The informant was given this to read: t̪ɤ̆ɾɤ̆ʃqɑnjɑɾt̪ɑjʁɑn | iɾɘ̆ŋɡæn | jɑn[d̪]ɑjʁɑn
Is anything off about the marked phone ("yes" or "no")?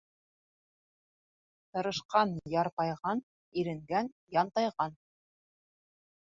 yes